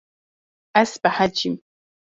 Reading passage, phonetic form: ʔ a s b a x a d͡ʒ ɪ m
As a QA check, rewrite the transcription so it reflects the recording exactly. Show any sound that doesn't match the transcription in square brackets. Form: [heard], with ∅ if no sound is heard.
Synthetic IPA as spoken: ʔ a s b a [ħ] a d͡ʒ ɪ m